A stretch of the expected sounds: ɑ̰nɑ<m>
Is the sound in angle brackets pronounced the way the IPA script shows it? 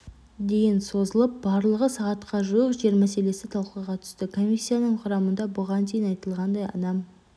yes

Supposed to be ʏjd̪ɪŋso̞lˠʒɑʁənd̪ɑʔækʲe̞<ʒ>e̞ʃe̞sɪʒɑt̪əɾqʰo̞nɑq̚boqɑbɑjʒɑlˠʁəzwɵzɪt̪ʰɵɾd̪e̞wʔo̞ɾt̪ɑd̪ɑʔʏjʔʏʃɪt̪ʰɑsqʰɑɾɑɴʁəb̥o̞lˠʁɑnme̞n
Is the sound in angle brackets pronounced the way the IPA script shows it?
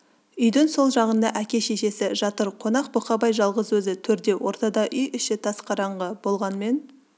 no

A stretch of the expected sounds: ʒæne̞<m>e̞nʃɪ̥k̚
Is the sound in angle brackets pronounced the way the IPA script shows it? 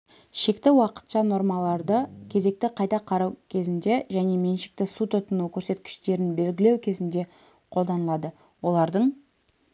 yes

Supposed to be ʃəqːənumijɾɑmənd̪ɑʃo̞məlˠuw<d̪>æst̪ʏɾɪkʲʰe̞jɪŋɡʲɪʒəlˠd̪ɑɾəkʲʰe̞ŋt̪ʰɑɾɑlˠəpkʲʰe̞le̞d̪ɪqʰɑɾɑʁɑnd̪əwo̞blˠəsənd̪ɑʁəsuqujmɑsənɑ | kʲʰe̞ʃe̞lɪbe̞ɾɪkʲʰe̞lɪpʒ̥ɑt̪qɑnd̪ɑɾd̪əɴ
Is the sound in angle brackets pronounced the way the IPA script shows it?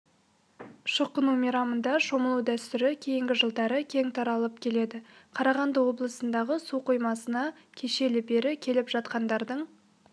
yes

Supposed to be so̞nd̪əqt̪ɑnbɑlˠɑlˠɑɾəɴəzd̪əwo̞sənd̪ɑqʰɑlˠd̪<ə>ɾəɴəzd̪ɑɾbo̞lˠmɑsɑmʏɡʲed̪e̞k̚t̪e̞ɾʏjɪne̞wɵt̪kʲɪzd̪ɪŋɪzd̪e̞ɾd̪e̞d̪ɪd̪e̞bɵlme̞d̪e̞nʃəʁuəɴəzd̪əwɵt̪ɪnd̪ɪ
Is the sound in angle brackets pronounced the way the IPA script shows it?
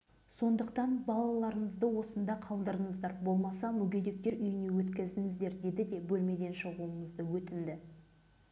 yes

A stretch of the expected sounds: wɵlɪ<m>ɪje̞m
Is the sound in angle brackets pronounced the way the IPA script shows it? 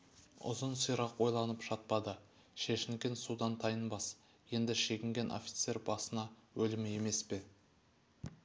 yes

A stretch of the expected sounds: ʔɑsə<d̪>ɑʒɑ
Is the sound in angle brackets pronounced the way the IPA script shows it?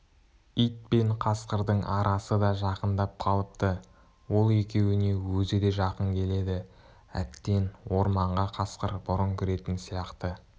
yes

